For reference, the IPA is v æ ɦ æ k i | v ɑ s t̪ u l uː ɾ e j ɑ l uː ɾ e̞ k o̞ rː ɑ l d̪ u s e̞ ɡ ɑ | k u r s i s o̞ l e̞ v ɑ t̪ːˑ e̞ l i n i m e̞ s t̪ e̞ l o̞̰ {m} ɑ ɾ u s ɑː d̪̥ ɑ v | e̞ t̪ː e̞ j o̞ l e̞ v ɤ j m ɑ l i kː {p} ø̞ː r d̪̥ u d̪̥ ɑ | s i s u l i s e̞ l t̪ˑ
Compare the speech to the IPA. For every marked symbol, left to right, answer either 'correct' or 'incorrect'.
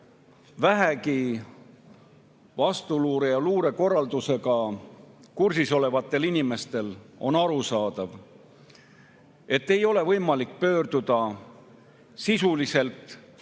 incorrect: n, correct

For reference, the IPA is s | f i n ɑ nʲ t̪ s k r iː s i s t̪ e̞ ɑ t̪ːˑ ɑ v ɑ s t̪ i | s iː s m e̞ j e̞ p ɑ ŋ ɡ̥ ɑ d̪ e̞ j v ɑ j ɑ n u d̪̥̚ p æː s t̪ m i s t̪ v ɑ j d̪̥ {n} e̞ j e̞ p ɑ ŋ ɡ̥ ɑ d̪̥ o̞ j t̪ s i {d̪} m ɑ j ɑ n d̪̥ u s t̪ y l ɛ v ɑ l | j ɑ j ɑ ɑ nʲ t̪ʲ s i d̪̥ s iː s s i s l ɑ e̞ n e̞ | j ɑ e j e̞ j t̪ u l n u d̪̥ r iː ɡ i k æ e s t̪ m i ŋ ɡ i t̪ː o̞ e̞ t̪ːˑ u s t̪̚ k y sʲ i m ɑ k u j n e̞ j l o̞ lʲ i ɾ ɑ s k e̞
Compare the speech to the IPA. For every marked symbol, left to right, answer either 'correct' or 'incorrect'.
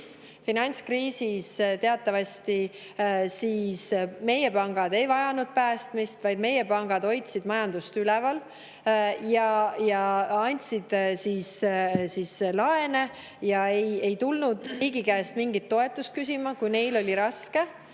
incorrect: m, correct

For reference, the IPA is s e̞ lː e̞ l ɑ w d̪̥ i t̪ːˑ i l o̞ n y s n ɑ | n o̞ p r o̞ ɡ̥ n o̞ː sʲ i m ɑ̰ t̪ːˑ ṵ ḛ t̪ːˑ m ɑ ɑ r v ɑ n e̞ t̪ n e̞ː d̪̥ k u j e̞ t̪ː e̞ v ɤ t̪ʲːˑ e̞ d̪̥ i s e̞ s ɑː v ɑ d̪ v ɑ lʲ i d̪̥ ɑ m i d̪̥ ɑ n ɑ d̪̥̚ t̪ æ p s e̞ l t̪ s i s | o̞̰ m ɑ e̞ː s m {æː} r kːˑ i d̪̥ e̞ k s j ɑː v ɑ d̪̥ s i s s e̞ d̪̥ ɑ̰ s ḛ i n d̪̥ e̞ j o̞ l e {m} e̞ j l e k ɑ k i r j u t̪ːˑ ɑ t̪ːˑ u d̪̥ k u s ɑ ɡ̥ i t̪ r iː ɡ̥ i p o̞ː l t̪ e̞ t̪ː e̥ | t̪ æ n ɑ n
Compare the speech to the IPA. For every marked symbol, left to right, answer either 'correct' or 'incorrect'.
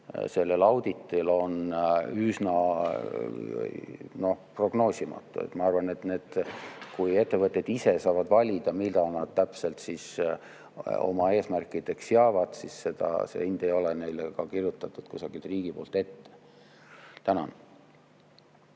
incorrect: æ, incorrect: n

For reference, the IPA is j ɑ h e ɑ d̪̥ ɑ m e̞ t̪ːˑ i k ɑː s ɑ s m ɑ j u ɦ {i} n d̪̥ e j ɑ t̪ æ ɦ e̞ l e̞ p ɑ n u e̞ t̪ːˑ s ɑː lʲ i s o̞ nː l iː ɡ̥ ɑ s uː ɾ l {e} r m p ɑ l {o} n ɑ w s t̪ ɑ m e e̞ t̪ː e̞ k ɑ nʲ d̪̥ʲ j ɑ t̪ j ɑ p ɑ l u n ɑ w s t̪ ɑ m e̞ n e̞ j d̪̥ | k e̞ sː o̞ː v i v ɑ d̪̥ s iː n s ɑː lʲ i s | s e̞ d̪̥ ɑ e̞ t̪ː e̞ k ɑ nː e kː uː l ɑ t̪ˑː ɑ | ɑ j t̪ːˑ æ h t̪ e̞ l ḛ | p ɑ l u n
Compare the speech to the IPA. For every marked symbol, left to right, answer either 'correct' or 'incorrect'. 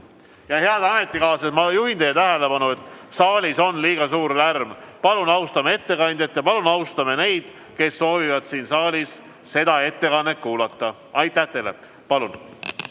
correct, incorrect: æ, incorrect: u

